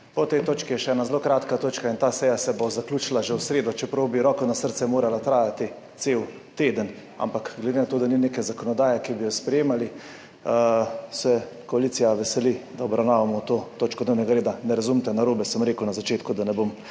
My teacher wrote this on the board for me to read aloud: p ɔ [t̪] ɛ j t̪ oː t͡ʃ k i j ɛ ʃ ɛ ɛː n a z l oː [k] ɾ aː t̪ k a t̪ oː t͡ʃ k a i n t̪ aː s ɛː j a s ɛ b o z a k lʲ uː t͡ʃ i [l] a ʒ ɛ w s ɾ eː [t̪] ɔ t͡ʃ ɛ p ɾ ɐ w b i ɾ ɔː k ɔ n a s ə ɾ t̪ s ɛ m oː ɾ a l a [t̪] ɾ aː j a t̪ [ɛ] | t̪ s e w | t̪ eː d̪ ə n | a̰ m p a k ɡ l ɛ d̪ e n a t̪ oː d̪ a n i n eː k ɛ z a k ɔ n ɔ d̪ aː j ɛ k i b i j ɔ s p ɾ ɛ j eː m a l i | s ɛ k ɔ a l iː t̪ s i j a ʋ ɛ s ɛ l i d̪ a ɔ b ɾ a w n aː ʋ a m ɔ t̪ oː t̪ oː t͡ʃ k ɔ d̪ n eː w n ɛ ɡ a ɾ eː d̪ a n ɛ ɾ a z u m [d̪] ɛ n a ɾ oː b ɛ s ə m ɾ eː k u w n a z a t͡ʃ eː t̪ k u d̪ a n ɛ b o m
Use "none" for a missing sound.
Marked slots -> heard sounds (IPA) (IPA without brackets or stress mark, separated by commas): t̪, k, l, d̪, t̪, i, t̪